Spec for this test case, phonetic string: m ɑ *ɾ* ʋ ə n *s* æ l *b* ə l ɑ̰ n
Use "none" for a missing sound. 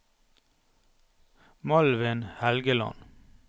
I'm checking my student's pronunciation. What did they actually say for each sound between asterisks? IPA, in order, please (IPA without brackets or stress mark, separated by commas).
l, h, ɡ